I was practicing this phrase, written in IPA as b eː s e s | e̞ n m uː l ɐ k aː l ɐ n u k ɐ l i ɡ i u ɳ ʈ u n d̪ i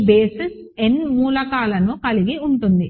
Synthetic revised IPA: b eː s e s | e̞ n m uː l ɐ k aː l ɐ n u k ɐ l i ɡ i u ɳ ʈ u n d̪ i

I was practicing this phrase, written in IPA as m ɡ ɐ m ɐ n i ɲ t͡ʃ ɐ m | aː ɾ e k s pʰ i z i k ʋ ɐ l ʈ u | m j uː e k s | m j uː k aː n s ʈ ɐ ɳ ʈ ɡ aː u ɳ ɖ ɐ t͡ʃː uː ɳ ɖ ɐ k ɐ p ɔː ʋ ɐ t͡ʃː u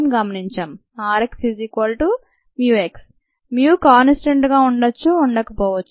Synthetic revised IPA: m ɡ ɐ m ɐ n i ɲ t͡ʃ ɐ m | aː ɾ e k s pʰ i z i k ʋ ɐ l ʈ u | m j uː e k s | m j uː k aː n s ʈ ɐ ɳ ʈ ɡ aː u ɳ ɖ ɐ t͡ʃː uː ɳ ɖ ɐ k ɐ p ɔː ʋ ɐ t͡ʃː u

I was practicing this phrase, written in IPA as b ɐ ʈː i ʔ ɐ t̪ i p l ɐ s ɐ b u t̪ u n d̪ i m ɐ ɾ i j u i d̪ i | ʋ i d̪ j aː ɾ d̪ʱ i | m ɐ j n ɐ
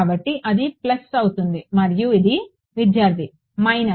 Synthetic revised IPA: b ɐ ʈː i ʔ ɐ d̪ i p l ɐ s ɐ w u t̪ u n d̪ i m ɐ ɾ i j u i d̪ i | ʋ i d̪ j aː ɾ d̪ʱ i | m ɐ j n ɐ

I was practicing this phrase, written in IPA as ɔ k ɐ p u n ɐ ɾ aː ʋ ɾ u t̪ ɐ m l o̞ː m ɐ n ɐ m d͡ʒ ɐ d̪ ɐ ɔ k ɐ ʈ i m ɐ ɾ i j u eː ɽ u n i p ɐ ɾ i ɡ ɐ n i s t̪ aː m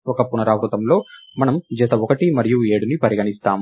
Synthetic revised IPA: ɔ k ɐ p u n ɐ ɾ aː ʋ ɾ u t̪ ɐ m l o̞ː m ɐ n ɐ m d͡ʒ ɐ t̪ ɐ ɔ k ɐ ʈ i m ɐ ɾ i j u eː ɽ u n i p ɐ ɾ i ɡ ɐ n i s t̪ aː m

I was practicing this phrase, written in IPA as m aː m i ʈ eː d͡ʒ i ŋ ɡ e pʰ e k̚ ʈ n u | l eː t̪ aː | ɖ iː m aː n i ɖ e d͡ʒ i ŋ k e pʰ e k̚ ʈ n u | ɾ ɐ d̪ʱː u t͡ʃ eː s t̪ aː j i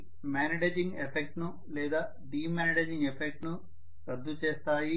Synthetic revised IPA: m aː n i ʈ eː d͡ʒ i ŋ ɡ e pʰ e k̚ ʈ n u | l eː d̪ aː | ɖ iː m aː n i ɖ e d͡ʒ i ŋ ɡ e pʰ e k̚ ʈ n u | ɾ ɐ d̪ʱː u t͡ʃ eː s t̪ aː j i

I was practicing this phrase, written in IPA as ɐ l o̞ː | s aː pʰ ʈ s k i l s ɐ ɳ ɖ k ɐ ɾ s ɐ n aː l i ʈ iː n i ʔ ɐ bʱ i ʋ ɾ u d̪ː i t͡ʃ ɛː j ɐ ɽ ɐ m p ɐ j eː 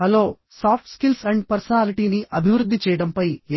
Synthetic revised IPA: ɐ l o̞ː | s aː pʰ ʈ s k i l s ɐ ɳ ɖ p ɐ ɾ s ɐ n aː l i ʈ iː n i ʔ ɐ bʱ i ʋ ɾ u d̪ː i t͡ʃ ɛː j ɐ ɽ ɐ m p ɐ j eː

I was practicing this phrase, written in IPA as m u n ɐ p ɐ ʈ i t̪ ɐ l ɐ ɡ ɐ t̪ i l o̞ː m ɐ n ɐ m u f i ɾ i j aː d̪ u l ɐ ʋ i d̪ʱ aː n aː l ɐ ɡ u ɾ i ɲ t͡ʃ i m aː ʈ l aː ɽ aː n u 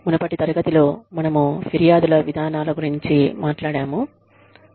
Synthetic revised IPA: m u n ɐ p ɐ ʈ i t̪ ɐ ɾ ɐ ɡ ɐ t̪ i l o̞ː m ɐ n ɐ m u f i ɾ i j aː d̪ u l ɐ ʋ i d̪ʱ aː n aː l ɐ ɡ u ɾ i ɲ t͡ʃ i m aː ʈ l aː ɽ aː m u

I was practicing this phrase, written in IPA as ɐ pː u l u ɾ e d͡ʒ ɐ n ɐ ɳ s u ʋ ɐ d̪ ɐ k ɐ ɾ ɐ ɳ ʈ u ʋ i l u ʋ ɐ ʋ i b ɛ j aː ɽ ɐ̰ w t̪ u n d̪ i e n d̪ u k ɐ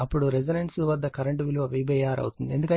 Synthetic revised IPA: ɐ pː u ɽ u ɾ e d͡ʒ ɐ n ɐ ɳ s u ʋ ɐ d̪ː ɐ k ɐ ɾ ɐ ɳ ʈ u ʋ i l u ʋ ɐ ʋ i b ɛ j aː ɾ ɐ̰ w t̪ u n d̪ i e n d̪ u k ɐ

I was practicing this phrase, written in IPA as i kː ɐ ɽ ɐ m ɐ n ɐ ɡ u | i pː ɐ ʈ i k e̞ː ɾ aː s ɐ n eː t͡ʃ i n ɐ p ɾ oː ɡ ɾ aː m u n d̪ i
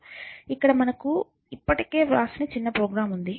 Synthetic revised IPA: i kː ɐ ɽ ɐ m ɐ n ɐ k u | i pː ɐ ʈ i k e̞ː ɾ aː s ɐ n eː t͡ʃ i nː ɐ p ɾ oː ɡ ɾ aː m u n d̪ i

